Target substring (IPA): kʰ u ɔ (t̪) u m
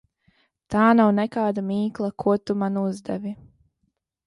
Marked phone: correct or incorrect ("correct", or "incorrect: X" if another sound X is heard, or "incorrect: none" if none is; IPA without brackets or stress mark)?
correct